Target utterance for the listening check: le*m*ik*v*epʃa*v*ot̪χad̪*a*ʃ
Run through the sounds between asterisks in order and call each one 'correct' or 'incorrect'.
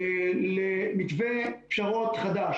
correct, correct, incorrect, correct

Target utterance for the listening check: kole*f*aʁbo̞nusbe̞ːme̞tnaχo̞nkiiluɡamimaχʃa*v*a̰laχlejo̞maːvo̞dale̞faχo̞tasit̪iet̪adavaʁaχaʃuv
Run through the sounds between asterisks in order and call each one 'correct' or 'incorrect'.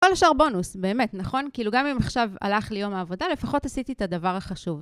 incorrect, correct

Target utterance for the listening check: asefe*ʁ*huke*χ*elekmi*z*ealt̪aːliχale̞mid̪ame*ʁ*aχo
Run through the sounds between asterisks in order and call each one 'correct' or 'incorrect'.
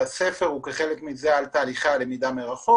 correct, correct, correct, correct

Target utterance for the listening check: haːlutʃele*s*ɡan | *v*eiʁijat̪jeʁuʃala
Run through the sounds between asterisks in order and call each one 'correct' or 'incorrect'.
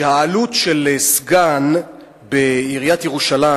correct, incorrect

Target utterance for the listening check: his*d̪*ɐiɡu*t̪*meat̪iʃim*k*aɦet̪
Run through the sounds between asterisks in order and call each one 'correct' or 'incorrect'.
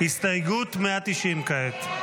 incorrect, correct, correct

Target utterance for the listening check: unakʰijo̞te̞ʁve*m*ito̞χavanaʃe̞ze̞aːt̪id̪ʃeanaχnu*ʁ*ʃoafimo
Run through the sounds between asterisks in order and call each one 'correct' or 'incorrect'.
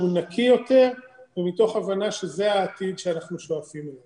correct, incorrect

